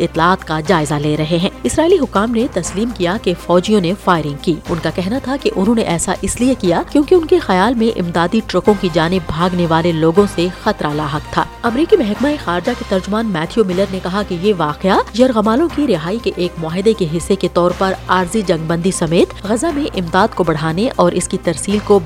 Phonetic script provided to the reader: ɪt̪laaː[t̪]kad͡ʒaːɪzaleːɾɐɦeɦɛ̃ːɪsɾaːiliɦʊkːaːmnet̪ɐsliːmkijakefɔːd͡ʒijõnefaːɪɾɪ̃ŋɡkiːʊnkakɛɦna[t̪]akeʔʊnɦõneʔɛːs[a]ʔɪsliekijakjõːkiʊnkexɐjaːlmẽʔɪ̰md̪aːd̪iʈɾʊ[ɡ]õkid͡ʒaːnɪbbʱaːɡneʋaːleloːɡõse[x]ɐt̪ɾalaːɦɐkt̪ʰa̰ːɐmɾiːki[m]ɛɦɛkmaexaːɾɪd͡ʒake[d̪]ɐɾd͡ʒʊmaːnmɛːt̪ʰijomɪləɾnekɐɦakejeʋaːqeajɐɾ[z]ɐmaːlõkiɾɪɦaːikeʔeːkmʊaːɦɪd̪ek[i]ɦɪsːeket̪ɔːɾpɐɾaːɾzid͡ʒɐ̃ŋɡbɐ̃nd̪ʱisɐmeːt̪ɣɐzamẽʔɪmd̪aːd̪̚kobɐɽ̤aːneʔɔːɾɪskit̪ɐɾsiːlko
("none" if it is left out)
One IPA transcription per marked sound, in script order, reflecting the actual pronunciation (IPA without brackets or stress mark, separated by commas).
t̪, t̪ʰ, a, k, x, m, t̪, ɣ, e